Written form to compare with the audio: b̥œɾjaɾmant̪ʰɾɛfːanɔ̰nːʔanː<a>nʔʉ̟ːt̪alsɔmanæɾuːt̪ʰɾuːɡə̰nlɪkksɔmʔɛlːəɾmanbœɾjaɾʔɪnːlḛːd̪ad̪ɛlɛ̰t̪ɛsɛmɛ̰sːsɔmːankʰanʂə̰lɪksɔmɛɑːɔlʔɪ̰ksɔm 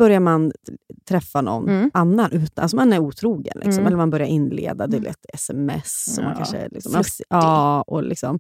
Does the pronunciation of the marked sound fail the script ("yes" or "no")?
no